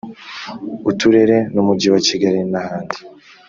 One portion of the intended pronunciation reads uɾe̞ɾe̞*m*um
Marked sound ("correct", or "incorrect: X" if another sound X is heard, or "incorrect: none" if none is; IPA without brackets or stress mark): incorrect: n